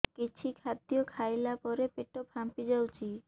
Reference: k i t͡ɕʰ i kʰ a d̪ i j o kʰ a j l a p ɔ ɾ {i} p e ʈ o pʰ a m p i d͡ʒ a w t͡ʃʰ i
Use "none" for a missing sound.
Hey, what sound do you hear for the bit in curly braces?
e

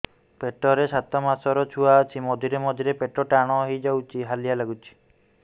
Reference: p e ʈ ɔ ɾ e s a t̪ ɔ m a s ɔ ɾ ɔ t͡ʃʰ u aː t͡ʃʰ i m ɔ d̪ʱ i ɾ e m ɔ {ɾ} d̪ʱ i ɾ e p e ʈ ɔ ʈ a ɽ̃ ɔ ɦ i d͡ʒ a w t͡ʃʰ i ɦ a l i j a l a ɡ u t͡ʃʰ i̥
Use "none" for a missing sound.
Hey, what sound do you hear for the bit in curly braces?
none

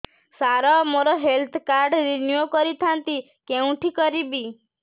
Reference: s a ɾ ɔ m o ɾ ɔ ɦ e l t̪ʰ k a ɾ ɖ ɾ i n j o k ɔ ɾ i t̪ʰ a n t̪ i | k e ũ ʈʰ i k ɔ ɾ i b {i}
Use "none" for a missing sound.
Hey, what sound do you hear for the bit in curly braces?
i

